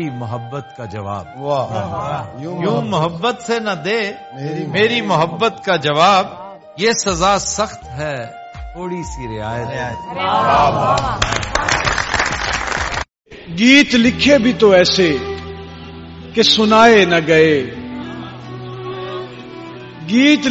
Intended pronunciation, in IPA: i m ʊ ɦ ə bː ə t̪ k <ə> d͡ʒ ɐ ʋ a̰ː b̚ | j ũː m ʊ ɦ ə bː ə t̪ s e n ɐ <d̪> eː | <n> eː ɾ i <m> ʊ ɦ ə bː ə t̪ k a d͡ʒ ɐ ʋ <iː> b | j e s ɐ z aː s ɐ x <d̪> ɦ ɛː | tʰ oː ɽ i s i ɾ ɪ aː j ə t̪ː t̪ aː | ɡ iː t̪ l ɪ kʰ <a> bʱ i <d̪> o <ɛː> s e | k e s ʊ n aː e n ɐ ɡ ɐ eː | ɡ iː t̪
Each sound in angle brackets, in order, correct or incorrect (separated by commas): incorrect, correct, incorrect, correct, incorrect, incorrect, incorrect, incorrect, correct